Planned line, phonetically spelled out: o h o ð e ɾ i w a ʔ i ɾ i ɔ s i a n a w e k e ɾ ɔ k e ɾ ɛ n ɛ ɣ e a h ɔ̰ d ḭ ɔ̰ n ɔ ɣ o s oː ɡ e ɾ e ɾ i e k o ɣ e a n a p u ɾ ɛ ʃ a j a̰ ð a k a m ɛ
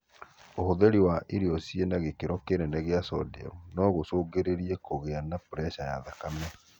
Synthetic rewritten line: o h o ð e ɾ i w a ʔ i ɾ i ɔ s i e n a ɣ e k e ɾ ɔ k e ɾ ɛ n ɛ ɣ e a s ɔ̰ d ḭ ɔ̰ n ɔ ɣ o s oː ɡ e ɾ e ɾ i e k o ɣ e a n a p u ɾ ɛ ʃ a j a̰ ð a k a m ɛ